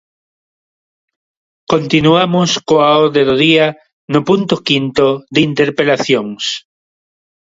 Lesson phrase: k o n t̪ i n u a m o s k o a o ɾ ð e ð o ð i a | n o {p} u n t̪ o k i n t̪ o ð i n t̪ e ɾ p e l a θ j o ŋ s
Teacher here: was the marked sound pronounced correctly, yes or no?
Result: yes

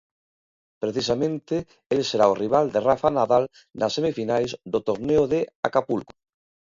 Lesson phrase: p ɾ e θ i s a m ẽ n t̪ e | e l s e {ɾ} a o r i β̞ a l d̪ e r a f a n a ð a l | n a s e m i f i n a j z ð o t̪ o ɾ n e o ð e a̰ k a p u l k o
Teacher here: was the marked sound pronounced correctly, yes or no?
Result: yes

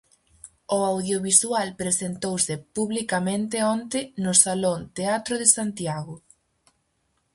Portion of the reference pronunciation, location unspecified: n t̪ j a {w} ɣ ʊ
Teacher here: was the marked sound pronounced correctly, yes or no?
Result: no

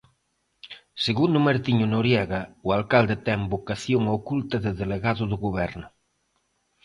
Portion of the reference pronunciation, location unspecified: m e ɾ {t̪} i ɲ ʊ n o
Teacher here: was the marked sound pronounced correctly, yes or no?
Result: yes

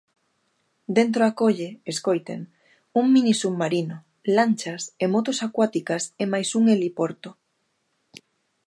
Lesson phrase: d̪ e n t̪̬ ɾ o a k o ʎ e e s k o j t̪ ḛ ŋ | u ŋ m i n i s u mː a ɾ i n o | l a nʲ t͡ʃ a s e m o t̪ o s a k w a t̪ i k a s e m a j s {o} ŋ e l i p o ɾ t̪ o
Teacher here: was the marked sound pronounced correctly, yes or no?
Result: no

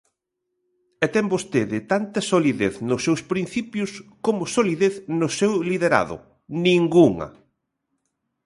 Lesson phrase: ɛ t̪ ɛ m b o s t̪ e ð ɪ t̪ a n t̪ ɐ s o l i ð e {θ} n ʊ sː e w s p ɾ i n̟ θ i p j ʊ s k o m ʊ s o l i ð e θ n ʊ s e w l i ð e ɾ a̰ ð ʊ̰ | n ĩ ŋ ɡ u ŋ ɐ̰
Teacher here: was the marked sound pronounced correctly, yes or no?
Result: yes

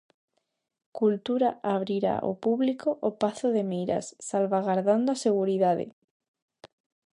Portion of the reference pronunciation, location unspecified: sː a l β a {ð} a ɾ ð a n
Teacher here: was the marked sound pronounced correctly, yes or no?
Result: no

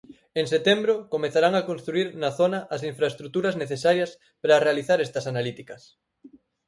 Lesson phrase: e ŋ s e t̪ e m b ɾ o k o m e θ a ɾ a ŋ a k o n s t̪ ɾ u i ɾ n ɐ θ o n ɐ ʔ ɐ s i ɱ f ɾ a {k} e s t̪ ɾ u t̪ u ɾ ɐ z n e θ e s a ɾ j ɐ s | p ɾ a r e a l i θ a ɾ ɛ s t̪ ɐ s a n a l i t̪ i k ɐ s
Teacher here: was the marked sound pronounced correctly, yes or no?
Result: no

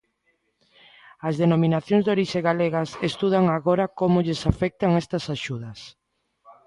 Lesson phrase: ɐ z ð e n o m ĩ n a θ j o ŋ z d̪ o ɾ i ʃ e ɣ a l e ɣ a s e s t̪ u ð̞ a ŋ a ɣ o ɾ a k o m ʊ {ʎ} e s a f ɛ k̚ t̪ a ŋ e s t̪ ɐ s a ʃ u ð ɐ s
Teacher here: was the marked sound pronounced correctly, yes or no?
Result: yes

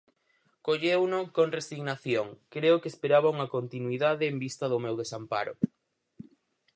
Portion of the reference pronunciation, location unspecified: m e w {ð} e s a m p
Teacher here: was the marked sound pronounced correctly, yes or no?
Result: yes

